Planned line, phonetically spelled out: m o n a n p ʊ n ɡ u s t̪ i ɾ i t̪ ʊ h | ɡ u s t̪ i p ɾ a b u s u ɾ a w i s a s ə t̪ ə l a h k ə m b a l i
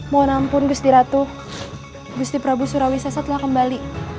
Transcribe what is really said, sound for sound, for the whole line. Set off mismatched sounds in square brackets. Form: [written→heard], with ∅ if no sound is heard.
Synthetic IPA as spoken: m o n a [n→m] p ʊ n ɡ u s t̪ i ɾ [i→a] t̪ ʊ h | ɡ u s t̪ i p ɾ a b u s u ɾ a w i s a s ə t̪ ə l a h k ə m b a l i